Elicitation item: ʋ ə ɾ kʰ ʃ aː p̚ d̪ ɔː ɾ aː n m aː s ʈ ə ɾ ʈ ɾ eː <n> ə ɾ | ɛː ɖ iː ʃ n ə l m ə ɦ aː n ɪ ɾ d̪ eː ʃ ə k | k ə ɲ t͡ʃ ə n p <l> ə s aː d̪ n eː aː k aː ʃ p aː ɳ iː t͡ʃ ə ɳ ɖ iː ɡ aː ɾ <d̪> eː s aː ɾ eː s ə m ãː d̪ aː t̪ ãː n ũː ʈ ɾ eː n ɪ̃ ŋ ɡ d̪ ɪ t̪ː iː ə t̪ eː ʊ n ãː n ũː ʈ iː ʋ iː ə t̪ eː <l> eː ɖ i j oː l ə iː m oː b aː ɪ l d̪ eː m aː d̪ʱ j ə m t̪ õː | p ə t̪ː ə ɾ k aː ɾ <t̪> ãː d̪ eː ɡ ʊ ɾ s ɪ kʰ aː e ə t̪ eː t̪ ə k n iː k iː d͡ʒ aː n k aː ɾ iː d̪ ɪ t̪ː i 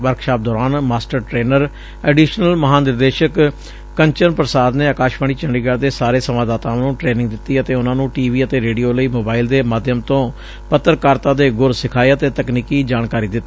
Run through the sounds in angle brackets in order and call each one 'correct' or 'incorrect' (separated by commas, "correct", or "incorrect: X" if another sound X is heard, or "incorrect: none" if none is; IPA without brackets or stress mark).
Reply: correct, incorrect: ɾ, correct, incorrect: ɾ, correct